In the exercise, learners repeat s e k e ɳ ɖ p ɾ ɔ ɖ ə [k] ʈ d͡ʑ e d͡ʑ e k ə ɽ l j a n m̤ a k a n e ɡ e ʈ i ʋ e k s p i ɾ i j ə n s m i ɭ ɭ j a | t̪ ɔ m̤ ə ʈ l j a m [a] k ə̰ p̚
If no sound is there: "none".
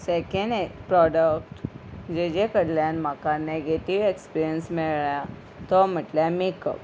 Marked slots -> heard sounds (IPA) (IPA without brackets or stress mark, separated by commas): k, e